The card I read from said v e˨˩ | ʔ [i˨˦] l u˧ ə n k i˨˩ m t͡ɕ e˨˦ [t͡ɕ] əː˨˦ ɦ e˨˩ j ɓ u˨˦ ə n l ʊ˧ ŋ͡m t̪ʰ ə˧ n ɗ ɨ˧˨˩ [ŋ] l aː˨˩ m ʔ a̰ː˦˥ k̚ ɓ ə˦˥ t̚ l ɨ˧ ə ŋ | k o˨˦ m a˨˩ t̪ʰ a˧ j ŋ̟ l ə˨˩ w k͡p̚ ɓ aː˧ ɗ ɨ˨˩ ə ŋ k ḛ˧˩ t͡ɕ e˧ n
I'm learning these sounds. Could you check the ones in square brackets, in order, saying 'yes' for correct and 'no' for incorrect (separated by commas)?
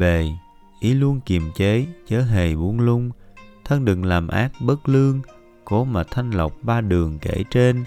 yes, yes, yes